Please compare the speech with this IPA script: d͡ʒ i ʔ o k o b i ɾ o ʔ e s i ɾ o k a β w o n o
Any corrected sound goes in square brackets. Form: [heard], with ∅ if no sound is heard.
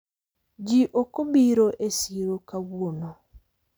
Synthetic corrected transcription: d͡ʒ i ʔ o k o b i ɾ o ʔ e s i ɾ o k a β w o n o